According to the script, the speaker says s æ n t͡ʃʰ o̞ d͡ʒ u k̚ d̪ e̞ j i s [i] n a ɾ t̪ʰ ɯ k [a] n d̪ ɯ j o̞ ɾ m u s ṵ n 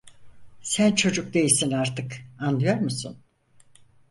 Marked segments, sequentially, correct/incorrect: correct, correct

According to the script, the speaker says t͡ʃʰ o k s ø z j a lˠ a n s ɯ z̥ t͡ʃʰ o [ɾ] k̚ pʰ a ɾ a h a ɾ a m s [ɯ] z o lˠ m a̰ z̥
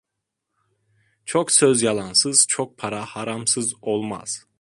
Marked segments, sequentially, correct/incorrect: incorrect: none, correct

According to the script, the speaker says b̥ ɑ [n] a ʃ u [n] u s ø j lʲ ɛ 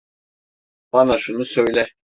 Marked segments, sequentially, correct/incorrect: correct, correct

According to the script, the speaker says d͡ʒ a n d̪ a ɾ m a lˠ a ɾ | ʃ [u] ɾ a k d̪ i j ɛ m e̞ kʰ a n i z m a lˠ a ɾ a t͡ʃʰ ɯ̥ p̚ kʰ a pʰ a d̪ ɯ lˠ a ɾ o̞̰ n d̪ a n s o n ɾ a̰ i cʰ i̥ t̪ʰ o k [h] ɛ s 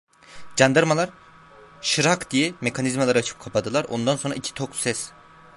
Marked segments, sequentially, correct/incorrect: incorrect: ɯ, incorrect: s

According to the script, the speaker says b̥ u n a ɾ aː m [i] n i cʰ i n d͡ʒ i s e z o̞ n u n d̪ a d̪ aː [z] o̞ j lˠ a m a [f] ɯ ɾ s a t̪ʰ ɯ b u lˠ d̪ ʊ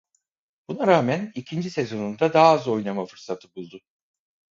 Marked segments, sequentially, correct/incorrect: incorrect: æ, correct, correct

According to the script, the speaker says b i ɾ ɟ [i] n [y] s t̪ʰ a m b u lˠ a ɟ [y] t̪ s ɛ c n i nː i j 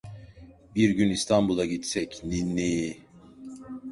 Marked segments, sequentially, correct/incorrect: incorrect: y, incorrect: i, incorrect: i

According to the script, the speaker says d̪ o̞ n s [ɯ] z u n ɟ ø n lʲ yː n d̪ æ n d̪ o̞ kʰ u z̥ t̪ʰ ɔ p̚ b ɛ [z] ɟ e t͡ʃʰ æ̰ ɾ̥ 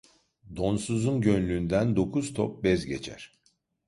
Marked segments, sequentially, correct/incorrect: incorrect: u, correct

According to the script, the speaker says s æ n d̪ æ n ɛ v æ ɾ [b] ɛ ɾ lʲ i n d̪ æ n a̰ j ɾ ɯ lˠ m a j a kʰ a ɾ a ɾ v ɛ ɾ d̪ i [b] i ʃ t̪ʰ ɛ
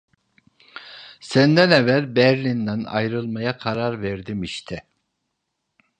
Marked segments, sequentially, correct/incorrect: correct, incorrect: m

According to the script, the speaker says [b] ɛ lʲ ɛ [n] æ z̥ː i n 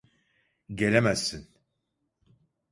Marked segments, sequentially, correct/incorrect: incorrect: ɟ, incorrect: m

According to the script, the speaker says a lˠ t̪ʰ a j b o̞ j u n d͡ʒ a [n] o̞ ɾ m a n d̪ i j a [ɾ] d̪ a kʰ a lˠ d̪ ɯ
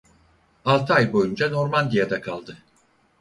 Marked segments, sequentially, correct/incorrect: correct, incorrect: none

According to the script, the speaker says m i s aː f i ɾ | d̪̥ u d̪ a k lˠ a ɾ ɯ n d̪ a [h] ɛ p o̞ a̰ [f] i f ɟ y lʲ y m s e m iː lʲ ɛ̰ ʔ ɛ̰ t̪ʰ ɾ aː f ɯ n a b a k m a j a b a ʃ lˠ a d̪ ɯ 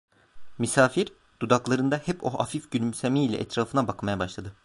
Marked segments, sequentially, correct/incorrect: correct, correct

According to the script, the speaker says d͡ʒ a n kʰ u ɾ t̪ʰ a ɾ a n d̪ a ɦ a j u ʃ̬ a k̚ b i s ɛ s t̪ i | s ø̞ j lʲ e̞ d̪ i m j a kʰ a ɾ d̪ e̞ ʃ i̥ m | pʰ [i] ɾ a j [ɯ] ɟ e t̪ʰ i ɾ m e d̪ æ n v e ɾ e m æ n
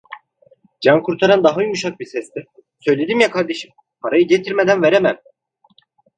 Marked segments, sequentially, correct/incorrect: incorrect: a, correct

